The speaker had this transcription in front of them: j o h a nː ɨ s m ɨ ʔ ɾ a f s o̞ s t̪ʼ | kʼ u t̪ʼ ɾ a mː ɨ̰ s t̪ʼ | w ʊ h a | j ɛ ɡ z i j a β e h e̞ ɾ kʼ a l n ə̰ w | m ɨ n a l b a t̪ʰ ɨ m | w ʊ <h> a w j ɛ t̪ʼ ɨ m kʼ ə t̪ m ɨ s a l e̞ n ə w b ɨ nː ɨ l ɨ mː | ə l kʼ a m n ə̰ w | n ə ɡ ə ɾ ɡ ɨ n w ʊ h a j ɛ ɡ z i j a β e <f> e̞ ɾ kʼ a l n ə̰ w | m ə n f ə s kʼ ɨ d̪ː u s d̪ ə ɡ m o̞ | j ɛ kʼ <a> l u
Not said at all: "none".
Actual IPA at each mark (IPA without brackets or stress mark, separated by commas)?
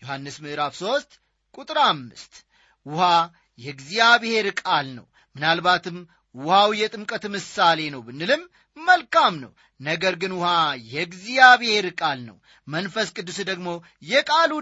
h, h, a